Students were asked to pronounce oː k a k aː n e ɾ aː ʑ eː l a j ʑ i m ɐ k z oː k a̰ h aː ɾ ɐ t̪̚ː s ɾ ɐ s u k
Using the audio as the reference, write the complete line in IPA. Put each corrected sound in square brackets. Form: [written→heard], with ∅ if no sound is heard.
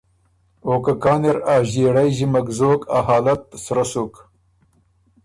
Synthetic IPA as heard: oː k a k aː n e ɾ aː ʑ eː [l→ɽ] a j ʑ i m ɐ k z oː k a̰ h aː [ɾ→l] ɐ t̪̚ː s ɾ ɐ s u k